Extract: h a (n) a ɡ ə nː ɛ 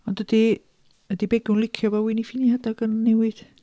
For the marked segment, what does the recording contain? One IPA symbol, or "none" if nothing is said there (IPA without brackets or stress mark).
d